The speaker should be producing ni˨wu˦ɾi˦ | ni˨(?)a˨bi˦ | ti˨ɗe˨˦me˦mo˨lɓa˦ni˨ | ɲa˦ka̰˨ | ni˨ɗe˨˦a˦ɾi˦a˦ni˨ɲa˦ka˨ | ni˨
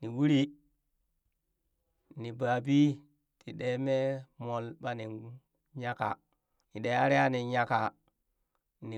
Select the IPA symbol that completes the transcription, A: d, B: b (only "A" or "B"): B